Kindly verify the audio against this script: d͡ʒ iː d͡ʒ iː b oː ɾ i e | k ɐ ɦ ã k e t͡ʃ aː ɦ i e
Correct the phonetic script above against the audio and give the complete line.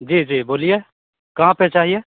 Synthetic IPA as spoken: d͡ʒ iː d͡ʒ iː b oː l i e | k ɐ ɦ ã p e t͡ʃ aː ɦ i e